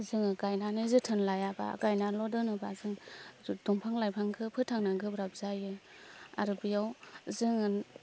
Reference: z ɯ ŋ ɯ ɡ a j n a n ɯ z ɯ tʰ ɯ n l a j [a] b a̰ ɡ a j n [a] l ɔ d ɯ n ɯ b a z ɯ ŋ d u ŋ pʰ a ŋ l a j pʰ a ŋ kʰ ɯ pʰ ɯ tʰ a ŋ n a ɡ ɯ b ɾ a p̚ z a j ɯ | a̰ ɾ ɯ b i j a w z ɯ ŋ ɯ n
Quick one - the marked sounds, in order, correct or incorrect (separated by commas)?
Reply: correct, correct